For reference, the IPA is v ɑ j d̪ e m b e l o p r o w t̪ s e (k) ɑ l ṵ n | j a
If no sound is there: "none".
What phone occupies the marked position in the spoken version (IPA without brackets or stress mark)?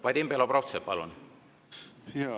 p